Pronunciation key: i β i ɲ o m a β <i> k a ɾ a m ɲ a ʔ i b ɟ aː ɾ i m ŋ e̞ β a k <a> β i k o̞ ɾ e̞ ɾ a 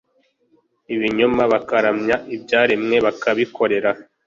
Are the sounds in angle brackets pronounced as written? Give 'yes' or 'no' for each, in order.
no, yes

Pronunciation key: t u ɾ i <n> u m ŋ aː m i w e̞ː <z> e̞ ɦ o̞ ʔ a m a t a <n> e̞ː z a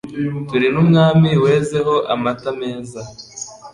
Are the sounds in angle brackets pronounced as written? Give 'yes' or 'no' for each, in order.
yes, yes, no

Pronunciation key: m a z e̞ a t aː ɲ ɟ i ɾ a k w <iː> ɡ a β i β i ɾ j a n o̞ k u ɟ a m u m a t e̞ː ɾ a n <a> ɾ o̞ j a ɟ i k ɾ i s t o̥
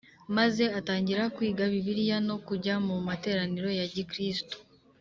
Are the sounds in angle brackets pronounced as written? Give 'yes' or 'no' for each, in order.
yes, no

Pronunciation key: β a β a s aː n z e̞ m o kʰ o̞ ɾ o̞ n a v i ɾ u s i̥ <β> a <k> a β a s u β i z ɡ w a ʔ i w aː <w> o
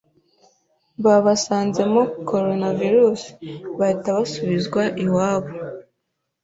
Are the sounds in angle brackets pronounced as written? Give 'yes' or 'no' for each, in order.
yes, no, no

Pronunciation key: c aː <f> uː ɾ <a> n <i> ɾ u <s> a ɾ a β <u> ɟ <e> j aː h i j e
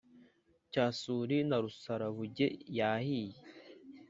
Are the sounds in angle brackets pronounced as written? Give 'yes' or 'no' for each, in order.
no, no, no, yes, yes, yes

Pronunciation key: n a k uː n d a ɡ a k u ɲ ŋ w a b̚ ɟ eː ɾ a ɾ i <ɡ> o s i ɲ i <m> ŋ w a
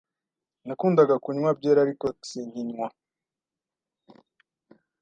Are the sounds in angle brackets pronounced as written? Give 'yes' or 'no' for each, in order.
no, no

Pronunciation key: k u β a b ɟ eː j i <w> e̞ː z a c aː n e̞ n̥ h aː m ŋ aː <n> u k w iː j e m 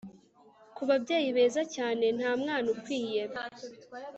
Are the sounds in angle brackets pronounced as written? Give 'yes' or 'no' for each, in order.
no, yes

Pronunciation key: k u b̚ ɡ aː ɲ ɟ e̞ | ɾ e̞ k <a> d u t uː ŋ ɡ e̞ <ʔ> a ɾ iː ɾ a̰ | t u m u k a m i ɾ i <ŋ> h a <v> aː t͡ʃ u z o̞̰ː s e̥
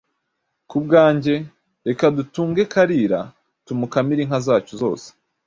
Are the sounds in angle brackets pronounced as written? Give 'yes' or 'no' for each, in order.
yes, no, yes, no

